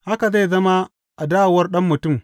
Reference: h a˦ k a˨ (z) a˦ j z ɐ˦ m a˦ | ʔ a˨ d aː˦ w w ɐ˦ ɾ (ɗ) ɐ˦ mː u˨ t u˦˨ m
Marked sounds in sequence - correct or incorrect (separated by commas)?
correct, correct